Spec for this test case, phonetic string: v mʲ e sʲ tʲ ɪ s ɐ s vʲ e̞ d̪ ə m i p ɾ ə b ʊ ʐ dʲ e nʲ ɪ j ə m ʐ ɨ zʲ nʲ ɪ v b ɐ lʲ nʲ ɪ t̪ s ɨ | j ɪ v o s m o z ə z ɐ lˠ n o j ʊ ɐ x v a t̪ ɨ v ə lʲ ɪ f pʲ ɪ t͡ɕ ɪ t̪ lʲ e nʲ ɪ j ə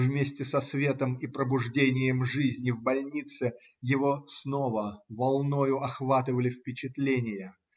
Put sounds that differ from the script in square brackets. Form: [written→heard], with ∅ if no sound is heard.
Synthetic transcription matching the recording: v mʲ e sʲ tʲ ɪ s ɐ s vʲ e̞ [d̪→t̪] ə m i p ɾ ə b ʊ ʐ dʲ e nʲ ɪ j ə m ʐ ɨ zʲ nʲ ɪ v b ɐ lʲ nʲ [ɪ→i] t̪ s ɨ | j ɪ v o s [m→n] o [z→v] ə [z→v] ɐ lˠ n o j ʊ ɐ x v a t̪ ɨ v ə lʲ ɪ f pʲ ɪ t͡ɕ ɪ t̪ lʲ e nʲ ɪ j ə